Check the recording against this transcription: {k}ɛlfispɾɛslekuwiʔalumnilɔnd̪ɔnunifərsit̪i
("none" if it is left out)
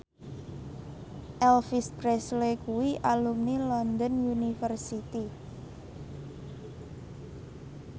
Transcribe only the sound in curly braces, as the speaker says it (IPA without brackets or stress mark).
ʔ